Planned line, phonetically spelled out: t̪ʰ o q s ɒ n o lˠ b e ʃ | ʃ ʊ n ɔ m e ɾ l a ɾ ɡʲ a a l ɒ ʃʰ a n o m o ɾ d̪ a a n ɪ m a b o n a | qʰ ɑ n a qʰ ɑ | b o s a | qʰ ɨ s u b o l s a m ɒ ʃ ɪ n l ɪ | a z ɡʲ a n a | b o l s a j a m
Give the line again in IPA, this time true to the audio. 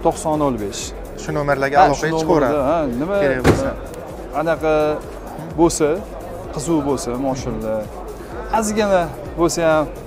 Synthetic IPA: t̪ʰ o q s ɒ n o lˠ b e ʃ | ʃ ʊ n o m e ɾ l a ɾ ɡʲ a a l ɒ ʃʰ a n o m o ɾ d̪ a a n ɪ m a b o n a | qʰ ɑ n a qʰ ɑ | b o s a | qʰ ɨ z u b o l s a m ɒ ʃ ɪ n l ɪ | a z ɡʲ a n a | b o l s a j a m